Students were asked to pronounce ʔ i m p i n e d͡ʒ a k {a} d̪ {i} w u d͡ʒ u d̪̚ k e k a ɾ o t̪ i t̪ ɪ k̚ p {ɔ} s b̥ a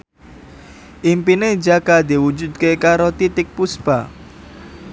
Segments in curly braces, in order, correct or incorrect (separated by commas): correct, correct, incorrect